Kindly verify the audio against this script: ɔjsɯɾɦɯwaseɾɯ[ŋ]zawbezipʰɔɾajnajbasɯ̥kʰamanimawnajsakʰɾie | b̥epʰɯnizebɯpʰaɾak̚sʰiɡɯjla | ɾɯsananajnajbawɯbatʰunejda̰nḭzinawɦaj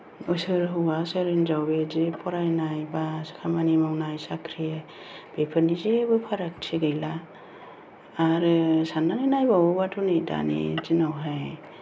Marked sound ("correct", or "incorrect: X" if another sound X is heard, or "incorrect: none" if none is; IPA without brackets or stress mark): incorrect: n